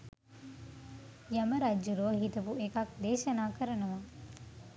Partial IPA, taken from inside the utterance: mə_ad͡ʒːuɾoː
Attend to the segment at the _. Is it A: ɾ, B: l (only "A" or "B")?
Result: A